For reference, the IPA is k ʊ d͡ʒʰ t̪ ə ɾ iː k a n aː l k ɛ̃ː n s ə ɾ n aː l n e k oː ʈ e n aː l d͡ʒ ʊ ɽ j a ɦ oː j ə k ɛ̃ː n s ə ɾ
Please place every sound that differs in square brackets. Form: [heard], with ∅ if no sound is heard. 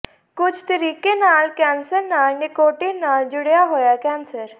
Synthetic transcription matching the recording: k ʊ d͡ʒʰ t̪ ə ɾ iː k [e] n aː l k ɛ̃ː n s ə ɾ n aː l n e k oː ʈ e n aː l d͡ʒ ʊ ɽ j a ɦ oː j [a] k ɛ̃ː n s ə ɾ